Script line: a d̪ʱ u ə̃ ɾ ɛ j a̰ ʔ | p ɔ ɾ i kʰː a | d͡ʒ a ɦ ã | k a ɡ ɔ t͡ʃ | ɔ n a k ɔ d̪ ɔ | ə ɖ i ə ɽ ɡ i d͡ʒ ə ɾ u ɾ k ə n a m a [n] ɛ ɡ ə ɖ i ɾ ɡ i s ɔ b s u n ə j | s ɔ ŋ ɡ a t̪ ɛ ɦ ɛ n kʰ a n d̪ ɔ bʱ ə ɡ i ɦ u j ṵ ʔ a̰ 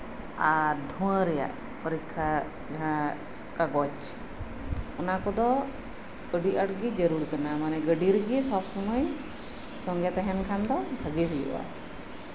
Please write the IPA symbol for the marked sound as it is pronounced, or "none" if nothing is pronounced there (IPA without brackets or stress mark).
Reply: n